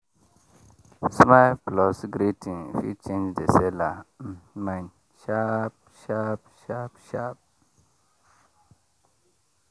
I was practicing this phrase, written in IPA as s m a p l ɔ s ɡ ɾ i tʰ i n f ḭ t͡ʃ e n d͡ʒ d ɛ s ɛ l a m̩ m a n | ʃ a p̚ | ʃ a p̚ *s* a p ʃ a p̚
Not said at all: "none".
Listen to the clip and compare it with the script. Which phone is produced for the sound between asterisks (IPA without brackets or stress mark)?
ʃ